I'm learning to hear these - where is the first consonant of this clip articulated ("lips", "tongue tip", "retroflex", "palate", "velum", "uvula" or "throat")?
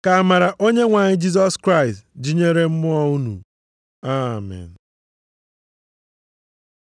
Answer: velum